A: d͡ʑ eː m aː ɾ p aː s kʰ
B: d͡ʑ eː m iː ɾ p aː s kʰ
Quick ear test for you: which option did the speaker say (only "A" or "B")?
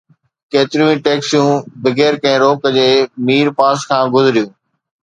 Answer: B